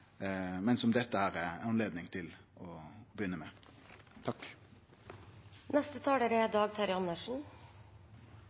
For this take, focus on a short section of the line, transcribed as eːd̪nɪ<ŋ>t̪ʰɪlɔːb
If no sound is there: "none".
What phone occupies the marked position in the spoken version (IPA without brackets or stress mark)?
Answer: ŋ